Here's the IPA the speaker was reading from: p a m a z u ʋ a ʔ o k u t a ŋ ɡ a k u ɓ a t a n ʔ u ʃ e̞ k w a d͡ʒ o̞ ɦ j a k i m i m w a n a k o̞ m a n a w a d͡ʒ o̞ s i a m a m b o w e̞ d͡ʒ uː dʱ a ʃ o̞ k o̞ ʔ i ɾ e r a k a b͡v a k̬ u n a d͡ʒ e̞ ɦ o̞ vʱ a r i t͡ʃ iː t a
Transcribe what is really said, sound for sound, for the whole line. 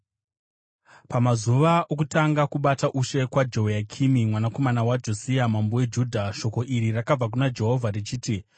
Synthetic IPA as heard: p a m a z u ʋ a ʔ o k u t a ŋ ɡ a k u ɓ a t a ʔ u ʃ e̞ k w a d͡ʒ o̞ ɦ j a kʰ i m i m w a n a k o̞ m a n a w a d͡ʒ o̞ s i a m a m b o w e̞ d͡ʒ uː dʱ a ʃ o̞ k o̞ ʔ i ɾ i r a k a b͡v a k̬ u n a d͡ʒ e̞ ɦ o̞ vʱ a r i t͡ʃ iː t i